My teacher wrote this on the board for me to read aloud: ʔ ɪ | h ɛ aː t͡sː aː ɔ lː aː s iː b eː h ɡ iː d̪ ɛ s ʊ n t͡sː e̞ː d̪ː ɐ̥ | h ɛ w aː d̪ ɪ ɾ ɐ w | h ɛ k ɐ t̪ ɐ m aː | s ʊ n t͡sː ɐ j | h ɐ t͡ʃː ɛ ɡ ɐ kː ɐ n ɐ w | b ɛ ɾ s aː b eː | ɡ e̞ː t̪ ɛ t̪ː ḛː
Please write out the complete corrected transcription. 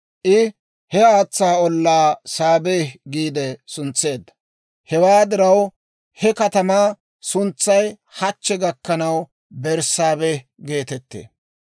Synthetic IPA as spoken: ʔ ɪ | h ɛ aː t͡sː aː ɔ lː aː s aː b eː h ɡ iː d̪ ɛ s ʊ n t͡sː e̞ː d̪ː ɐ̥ | h ɛ w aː d̪ ɪ ɾ ɐ w | h ɛ k ɐ t̪ ɐ m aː | s ʊ n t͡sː ɐ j | h ɐ t͡ʃː ɛ ɡ ɐ kː ɐ n ɐ w | b ɛ ɾ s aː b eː | ɡ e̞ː t̪ ɛ t̪ː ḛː